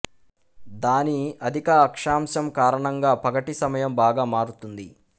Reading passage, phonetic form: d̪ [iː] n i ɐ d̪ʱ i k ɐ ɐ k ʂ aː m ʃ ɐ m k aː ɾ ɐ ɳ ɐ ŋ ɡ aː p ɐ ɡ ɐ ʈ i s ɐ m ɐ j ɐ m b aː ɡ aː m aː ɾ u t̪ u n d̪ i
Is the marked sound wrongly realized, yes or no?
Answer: yes